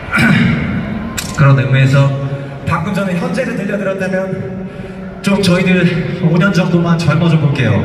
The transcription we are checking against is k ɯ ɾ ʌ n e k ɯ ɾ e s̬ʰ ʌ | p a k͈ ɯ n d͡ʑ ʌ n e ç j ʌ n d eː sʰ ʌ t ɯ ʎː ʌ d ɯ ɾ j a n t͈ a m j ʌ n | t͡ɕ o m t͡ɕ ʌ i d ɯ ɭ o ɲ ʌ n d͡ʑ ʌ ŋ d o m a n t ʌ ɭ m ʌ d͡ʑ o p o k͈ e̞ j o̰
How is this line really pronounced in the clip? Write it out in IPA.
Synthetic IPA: k ɯ ɾ ʌ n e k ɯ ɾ e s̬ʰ ʌ | p a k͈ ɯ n d͡ʑ ʌ n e ç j ʌ n d͡ʑ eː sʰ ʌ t ɯ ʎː ʌ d ɯ ɾ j ʌ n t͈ a m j ʌ n | t͡ɕ o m t͡ɕ ʌ i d ɯ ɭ o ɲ ʌ n d͡ʑ ʌ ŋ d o m a n t͡ɕ ʌ ɭ m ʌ d͡ʑ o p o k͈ e̞ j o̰

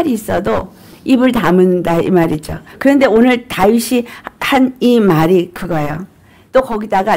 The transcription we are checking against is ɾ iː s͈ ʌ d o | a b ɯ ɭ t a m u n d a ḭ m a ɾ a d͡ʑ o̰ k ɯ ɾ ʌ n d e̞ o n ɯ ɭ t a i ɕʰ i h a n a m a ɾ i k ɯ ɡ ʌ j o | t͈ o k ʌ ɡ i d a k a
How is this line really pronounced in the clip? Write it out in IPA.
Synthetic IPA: ɾ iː s͈ ʌ d o | i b ɯ ɭ t a m ɯ n d a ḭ m a ɾ i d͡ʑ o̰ k ɯ ɾ ʌ n d e̞ o n ɯ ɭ t a i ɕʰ i h a n i m a ɾ i k ɯ ɡ ʌ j o | t͈ o k ʌ ɡ i d a ɡ a

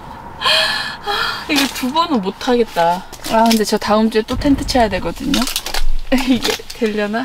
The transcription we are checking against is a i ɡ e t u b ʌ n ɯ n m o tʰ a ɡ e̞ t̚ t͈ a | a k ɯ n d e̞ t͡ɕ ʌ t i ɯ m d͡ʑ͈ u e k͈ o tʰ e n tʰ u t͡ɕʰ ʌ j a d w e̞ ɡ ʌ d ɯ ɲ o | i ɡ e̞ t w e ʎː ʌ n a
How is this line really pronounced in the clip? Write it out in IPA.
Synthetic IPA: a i ɡ e t u b ʌ n ɯ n m o tʰ a ɡ e̞ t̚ t͈ a | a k ɯ n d e̞ t͡ɕ ʌ t a ɯ m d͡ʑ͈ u e t͈ o tʰ e n tʰ ɯ t͡ɕʰ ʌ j a d w e̞ ɡ ʌ d ɯ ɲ o | i ɡ e̞ t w e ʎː ʌ n a

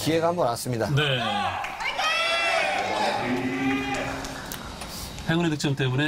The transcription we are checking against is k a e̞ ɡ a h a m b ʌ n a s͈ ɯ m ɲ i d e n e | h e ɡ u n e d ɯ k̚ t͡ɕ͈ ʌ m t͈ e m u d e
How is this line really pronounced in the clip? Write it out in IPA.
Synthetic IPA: k i e̞ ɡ a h a m b ʌ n a s͈ ɯ m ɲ i d a n e | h e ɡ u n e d ɯ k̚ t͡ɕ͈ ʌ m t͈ e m u n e

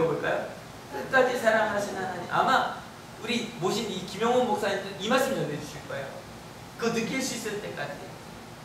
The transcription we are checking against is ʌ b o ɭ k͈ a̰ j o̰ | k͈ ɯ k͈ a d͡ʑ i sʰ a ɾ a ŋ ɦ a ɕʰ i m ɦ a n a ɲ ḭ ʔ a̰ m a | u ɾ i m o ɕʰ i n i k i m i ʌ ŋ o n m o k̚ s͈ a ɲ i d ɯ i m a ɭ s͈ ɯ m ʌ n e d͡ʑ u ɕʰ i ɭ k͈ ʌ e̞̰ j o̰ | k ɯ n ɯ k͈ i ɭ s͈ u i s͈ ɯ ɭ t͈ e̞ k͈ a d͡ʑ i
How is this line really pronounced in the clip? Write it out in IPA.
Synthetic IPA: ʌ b o ɭ k͈ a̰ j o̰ | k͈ ɯ k͈ a d͡ʑ i sʰ a ɾ a ŋ ɦ a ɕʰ i n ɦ a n a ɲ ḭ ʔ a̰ m a | u ɾ i m o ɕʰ i n i k i m j ʌ ŋ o n m o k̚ s͈ a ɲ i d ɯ i m a ɭ s͈ ɯ m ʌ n e d͡ʑ u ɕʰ i ɭ k͈ ʌ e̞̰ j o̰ | k ɯ n ɯ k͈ i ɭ s͈ u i s͈ ɯ ɭ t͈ e̞ k͈ a d͡ʑ i

